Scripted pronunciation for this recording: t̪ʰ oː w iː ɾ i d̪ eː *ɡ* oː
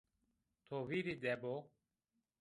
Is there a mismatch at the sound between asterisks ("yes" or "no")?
yes